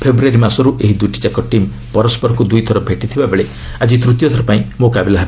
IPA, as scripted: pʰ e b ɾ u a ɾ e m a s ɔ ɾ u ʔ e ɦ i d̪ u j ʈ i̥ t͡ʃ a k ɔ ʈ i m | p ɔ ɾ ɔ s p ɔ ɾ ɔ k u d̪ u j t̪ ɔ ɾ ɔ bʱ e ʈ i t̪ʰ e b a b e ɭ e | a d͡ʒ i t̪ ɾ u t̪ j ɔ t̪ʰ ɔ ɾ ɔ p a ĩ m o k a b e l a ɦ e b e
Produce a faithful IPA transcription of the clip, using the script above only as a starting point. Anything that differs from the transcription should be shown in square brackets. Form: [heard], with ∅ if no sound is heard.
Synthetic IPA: pʰ e b ɾ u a ɾ [i] m a s ɔ ɾ u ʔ e ɦ i d̪ u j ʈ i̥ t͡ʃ a k ɔ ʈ i m | p ɔ ɾ ɔ s p ɔ ɾ ɔ k u d̪ u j [t̪ʰ] ɔ ɾ ɔ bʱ e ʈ i t̪ʰ [i] b a b e ɭ e | a d͡ʒ i t̪ ɾ u t̪ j ɔ t̪ʰ ɔ ɾ ɔ p a ĩ m o k a b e l a ɦ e b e